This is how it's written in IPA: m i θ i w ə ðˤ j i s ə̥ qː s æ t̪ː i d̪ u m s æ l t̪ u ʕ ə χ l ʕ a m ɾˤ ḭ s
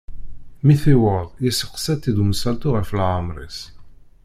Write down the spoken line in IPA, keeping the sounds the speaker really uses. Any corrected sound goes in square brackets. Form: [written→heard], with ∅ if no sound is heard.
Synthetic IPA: m i θ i w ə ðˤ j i s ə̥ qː s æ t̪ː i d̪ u m s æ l t̪ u [ʕ→ʁ] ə [χ→f] l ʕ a m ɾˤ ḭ s